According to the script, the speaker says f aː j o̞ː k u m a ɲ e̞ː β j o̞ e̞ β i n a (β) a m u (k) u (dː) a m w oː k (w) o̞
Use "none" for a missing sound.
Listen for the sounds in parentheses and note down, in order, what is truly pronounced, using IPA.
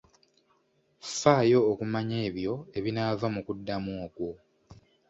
v, k, dː, w

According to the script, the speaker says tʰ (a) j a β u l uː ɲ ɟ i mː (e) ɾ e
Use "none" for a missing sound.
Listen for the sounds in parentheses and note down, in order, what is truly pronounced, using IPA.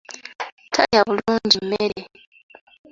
a, e

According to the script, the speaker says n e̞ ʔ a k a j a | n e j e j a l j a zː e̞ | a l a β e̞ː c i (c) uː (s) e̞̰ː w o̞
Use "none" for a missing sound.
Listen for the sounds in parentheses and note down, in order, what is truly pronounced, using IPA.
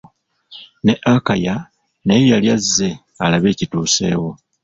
t, s

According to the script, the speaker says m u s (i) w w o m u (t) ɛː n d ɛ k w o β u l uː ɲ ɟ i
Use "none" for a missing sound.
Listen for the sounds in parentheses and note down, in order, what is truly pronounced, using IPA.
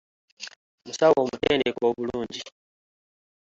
a, t

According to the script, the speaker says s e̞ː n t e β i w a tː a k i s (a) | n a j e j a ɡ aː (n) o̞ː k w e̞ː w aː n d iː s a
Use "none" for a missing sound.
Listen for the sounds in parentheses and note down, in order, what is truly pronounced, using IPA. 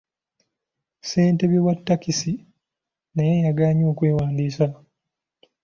i, ɲ

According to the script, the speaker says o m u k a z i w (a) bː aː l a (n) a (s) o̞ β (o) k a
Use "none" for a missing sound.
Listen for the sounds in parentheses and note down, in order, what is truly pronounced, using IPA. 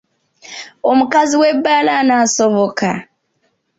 e, n, s, o

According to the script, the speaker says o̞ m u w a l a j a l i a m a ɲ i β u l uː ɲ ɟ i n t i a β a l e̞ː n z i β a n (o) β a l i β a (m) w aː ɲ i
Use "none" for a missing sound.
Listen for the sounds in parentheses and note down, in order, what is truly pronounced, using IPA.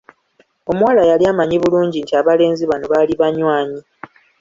o, ɲ

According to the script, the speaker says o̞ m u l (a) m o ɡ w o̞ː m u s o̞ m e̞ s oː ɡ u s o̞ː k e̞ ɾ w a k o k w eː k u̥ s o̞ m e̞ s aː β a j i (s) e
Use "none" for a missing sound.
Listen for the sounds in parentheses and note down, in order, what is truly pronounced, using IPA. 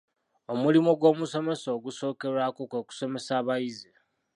i, z

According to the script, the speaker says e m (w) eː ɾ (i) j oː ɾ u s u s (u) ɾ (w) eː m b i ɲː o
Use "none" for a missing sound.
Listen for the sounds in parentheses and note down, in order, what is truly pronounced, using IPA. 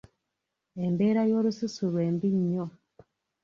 b, a, u, w

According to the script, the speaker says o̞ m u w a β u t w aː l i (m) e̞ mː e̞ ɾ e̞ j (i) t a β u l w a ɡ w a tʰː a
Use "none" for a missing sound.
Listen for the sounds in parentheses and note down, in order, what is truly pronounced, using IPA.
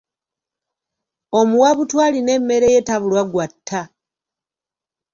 n, e

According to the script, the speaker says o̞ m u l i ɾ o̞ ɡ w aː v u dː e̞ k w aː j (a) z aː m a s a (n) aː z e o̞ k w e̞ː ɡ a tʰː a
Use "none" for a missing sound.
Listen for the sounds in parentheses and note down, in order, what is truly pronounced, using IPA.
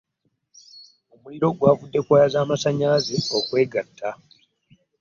a, ɲ

